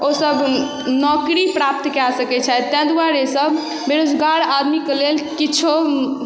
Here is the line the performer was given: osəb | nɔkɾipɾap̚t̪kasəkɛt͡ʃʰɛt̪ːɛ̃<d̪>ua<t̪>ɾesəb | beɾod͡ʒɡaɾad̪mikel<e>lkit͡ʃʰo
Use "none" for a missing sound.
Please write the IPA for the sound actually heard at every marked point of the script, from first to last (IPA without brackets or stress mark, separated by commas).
d̪, none, e